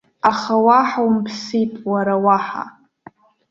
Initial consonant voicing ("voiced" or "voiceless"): voiceless